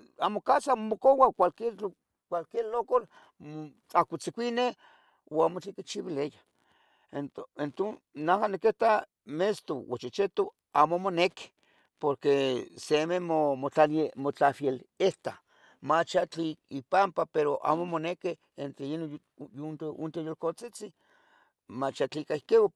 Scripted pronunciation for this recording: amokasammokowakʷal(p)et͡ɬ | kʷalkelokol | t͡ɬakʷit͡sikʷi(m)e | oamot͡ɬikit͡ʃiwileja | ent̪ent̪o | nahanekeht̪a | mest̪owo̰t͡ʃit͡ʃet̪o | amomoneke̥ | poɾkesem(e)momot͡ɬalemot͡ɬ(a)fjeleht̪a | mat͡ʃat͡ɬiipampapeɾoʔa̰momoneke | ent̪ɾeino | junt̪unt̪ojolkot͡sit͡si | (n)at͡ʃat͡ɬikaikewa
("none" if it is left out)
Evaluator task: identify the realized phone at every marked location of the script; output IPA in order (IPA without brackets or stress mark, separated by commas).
k, n, e, a, m